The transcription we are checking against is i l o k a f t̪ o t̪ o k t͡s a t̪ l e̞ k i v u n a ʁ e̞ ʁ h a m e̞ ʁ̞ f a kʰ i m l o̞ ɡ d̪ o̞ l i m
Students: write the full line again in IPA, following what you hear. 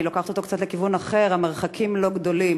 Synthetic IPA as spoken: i l o k a χ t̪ o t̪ o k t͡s a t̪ l e̞ k i v u n a χ e̞ ʁ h a m e̞ ʁ̞ χ a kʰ i m l o̞ ɡ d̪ o̞ l i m